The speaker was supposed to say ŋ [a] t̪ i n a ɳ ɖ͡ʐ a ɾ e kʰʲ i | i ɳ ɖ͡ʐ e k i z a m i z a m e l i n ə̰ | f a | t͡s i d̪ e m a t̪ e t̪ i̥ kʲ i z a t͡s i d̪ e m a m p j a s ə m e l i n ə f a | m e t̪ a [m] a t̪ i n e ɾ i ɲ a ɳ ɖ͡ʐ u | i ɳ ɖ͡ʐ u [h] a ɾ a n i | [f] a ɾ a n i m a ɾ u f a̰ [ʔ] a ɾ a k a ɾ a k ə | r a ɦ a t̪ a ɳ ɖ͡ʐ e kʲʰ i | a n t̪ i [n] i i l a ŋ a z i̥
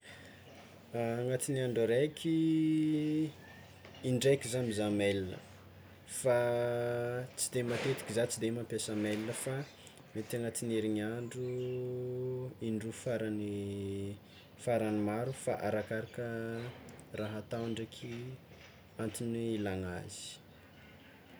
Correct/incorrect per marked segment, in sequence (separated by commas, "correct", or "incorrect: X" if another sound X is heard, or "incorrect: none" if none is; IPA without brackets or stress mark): correct, incorrect: ŋ, incorrect: f, correct, correct, correct